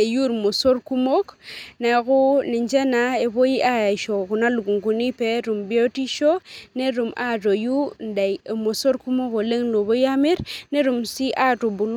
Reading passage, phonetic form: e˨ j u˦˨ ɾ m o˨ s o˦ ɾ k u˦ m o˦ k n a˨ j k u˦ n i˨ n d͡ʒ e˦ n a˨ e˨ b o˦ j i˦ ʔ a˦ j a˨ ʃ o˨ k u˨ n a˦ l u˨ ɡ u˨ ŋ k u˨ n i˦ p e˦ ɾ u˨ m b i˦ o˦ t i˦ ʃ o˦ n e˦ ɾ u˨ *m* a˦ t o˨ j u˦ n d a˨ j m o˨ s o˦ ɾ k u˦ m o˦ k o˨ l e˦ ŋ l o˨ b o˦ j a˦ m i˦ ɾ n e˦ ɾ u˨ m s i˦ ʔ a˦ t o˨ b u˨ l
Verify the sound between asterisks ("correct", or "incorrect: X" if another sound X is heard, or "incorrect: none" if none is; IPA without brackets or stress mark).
correct